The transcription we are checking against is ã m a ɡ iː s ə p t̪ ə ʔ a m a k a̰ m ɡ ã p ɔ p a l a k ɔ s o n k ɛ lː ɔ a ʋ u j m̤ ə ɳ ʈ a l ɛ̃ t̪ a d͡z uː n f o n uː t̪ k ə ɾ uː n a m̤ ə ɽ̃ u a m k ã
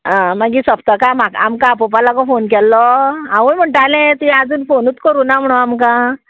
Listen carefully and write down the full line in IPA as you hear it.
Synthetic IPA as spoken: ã m a ɡ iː s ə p t̪ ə k a m a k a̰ m k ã p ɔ p a l a k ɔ f o n k ɛ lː ɔ a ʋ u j m̤ ə ɳ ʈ a l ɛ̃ t̪ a d͡z uː n f o n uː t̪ k ə ɾ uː n a m̤ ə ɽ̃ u a m k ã